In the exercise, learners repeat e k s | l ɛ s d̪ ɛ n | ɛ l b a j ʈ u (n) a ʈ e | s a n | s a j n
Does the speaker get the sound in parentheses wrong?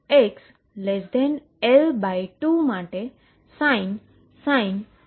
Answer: yes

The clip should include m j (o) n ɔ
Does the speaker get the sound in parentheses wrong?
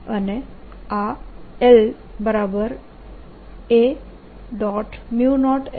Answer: yes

